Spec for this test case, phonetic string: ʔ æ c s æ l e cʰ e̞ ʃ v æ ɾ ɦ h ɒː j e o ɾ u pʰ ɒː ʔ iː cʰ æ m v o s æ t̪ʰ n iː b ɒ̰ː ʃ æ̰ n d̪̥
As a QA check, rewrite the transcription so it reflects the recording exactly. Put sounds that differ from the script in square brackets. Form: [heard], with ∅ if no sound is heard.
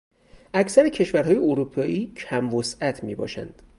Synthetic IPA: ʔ æ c s æ [ɾ] e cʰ e̞ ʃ v æ ɾ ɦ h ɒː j e o ɾ u pʰ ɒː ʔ iː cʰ æ m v o s æ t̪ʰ [m] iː b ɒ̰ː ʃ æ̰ n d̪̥